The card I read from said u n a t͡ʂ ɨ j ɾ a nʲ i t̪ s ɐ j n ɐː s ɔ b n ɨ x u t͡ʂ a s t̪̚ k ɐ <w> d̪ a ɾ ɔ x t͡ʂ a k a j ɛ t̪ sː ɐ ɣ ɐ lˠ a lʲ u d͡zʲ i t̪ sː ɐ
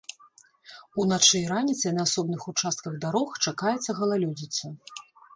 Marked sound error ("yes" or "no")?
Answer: yes